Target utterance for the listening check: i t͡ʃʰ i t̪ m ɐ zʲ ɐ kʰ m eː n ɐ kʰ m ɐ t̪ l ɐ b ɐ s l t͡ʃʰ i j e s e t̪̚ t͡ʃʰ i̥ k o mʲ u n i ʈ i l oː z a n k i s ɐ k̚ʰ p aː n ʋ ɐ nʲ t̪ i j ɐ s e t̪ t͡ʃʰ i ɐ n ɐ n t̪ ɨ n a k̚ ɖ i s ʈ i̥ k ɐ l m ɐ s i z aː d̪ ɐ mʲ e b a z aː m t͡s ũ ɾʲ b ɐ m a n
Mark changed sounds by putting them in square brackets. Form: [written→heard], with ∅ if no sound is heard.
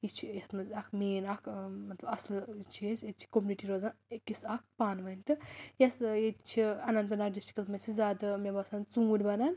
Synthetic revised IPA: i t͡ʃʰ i t̪ m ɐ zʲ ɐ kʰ m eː n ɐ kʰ m ɐ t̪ l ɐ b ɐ s l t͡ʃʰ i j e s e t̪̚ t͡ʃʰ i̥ k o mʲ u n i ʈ i [l→ɾ] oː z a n k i s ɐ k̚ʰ p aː n ʋ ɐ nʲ t̪ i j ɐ s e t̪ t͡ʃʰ i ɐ n ɐ n t̪ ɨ n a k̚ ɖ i s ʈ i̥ k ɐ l m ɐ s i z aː d̪ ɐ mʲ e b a [z→s] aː [m→n] t͡s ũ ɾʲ b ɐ [m→n] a n